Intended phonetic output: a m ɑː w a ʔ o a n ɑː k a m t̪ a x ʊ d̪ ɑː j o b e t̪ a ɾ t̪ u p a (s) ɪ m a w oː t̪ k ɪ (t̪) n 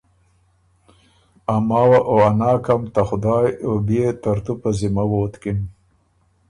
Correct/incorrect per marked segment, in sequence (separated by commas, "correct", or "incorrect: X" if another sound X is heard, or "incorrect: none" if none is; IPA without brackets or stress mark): incorrect: z, incorrect: none